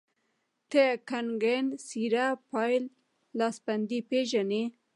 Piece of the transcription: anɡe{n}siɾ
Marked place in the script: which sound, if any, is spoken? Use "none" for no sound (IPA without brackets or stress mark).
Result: n